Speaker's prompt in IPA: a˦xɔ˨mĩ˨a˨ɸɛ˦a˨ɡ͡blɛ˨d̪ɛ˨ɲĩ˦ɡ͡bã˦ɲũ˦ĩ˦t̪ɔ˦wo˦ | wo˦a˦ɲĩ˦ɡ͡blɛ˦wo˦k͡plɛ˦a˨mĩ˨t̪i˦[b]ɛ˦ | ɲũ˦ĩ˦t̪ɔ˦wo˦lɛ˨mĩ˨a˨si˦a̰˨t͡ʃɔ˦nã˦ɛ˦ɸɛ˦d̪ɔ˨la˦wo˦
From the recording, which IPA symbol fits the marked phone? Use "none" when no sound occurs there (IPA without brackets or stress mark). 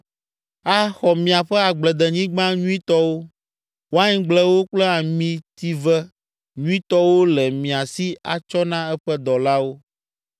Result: v